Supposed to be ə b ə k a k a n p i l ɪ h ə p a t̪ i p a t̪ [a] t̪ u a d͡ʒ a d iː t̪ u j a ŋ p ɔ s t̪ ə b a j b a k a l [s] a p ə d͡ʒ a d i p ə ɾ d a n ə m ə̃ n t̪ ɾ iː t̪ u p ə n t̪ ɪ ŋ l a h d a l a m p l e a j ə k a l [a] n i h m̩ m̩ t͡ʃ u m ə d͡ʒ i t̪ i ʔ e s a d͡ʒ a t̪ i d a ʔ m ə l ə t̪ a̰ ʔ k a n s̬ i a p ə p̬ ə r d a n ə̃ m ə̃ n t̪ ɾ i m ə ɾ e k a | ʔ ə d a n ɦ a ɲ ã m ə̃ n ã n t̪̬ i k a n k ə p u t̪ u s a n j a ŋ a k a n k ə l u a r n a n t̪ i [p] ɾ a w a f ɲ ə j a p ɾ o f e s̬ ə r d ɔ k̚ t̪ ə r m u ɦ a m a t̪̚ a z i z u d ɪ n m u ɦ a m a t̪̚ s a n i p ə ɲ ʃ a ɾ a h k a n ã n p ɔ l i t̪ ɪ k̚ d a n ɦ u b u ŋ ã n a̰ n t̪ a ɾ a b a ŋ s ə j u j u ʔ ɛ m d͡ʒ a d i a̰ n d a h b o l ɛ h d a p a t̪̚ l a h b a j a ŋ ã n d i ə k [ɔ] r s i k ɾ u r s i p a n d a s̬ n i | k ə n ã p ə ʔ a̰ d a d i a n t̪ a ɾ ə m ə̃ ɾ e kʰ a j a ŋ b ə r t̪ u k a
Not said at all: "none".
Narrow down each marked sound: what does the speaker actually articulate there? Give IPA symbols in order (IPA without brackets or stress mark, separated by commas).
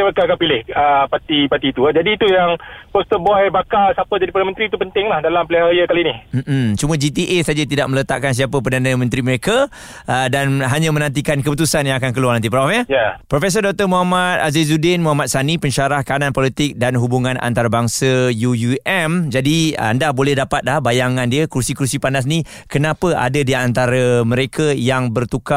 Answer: i, s, i, p, u